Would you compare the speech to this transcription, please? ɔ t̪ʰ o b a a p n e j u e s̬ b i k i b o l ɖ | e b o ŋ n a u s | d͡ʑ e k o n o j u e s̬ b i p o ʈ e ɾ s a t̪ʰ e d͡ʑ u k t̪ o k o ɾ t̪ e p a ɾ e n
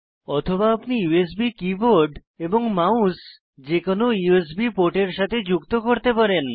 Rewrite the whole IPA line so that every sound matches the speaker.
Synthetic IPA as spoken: ɔ t̪ʰ o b a a p n i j u e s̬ b i k i b o ɾ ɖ | e b o ŋ m a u s | d͡ʑ e k o n o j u e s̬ b i p o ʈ e ɾ ʃ a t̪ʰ e d͡ʑ u k t̪ o k o ɾ t̪ e p a ɾ e n